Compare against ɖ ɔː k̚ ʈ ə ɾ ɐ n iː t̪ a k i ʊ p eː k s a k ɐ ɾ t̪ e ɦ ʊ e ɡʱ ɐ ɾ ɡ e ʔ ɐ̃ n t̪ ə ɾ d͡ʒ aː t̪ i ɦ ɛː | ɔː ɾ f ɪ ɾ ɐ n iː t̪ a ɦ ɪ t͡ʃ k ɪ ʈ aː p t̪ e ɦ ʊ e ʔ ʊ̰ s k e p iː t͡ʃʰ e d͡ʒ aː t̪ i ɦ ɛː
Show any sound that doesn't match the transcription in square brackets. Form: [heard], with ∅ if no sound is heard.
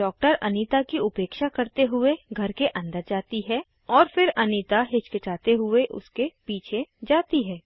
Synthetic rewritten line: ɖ ɔː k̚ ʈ ə ɾ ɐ n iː t̪ a k i ʊ p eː k [ʃ] a k ɐ ɾ t̪ e ɦ ʊ e ɡʱ ɐ ɾ [k] e ʔ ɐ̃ n [d̪] ə ɾ d͡ʒ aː t̪ i ɦ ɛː | ɔː ɾ f ɪ ɾ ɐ n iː t̪ a ɦ ɪ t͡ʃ k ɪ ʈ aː [∅] t̪ e ɦ ʊ e ʔ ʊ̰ s k e p iː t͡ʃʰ e d͡ʒ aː t̪ i ɦ ɛː

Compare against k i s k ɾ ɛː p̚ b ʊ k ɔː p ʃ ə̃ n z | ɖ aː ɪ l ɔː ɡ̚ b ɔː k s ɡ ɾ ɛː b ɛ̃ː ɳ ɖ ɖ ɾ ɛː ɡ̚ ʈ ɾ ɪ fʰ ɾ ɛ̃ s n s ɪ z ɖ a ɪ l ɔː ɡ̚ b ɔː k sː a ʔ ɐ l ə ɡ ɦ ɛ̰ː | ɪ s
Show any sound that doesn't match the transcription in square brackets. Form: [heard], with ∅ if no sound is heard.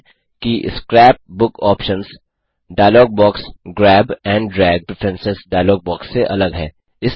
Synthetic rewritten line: k i s k ɾ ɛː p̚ b ʊ k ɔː p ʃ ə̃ n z | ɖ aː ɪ l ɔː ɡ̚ b ɔː k s ɡ ɾ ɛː b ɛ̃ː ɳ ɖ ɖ ɾ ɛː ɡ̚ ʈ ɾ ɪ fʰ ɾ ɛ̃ [∅] n s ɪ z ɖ a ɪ l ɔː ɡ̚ b ɔː k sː [e] ʔ ɐ l ə ɡ ɦ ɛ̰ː | ɪ s

